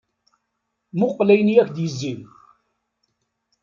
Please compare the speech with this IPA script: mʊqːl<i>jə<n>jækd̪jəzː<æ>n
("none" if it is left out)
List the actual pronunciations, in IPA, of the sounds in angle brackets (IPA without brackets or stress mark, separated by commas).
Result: æ, n, i